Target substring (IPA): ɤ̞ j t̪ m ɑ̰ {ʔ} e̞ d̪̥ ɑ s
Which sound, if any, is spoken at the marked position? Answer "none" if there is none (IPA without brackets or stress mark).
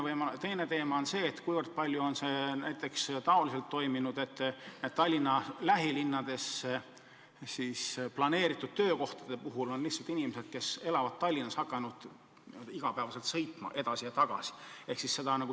ʔ